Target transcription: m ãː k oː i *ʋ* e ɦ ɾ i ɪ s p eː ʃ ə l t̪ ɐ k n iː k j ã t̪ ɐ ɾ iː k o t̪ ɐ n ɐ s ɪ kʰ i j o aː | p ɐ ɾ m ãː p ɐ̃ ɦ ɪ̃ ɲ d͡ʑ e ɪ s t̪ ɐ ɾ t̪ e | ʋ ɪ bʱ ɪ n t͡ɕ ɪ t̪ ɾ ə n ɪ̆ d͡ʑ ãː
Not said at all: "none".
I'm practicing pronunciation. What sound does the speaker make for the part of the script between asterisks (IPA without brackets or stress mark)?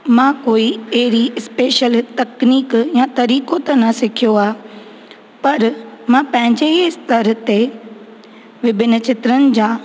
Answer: none